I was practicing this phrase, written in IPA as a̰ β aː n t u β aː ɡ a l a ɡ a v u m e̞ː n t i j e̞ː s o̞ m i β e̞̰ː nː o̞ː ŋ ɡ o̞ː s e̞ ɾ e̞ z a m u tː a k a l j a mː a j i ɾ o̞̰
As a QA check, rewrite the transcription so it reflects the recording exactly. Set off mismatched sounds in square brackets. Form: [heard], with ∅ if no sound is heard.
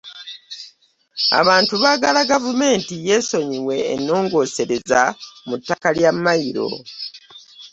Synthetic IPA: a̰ β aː n t u β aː ɡ a l a ɡ a v u m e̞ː n t i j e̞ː s o̞ [ɲ] i [w] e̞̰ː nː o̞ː ŋ ɡ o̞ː s e̞ ɾ e̞ z a m u tː a k a l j a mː a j i ɾ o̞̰